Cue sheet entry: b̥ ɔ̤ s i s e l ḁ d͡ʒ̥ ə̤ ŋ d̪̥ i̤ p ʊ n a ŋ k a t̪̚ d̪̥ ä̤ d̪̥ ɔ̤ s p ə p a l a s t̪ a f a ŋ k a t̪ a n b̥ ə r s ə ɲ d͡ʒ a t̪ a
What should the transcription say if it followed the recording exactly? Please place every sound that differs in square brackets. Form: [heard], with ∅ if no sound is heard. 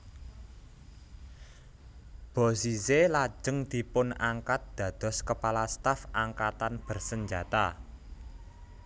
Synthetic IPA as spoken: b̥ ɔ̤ s i s e l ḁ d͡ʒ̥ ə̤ ŋ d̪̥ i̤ p ʊ n a ŋ k a t̪̚ d̪̥ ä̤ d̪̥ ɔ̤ s [k] ə p a l a s t̪ a f a ŋ k a t̪ a n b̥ ə r s ə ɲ d͡ʒ a t̪ a